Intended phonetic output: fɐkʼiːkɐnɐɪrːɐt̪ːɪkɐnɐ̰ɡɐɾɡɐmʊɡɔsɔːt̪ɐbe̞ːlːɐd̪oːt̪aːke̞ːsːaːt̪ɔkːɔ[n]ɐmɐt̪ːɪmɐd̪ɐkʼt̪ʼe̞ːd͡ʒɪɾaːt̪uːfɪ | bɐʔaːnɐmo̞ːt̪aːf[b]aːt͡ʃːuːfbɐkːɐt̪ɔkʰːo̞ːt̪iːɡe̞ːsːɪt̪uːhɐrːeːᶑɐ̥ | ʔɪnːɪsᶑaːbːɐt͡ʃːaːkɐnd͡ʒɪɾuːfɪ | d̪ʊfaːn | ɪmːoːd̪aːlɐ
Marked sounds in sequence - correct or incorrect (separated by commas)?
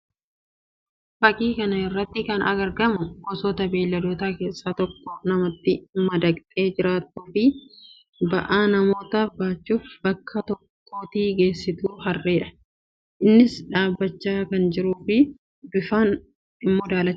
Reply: correct, correct